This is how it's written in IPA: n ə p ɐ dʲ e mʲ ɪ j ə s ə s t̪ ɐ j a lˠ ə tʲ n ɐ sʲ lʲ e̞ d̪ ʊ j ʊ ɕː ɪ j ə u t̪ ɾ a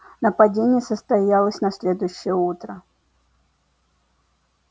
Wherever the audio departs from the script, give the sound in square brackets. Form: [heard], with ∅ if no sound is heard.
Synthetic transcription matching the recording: n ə p ɐ dʲ e [nʲ] ɪ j ə s ə s t̪ ɐ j a lˠ ə [sʲ] n ɐ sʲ lʲ e̞ d̪ ʊ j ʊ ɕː ɪ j ə u t̪ ɾ [ə]